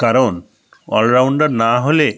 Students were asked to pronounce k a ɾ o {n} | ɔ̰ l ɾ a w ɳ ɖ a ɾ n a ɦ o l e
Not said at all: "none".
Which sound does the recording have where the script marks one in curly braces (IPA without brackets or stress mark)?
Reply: n